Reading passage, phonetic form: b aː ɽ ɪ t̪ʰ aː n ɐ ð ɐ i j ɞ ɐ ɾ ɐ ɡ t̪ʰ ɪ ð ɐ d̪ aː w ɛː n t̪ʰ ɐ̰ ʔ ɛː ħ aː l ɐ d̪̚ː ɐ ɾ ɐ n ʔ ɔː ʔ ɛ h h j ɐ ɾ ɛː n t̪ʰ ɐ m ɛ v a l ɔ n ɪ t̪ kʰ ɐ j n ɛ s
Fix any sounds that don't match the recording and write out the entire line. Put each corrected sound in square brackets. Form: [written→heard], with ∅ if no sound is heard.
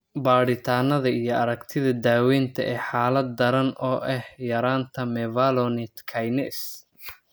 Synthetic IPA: b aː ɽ ɪ t̪ʰ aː n ɐ ð ɐ i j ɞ ɐ ɾ ɐ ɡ t̪ʰ ɪ ð ɐ d̪ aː w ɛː n t̪ʰ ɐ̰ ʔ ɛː ħ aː l ɐ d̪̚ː ɐ ɾ ɐ n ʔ ɔː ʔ ɛ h h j ɐ ɾ [ɛː→aː] n t̪ʰ ɐ m ɛ v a l ɔ n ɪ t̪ kʰ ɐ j n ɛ s